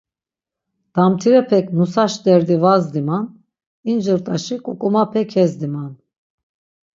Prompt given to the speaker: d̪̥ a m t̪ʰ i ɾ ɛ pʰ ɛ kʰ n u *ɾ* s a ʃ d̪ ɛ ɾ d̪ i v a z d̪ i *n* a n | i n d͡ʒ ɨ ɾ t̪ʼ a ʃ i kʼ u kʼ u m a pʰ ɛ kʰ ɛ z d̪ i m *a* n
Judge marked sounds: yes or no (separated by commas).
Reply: no, no, yes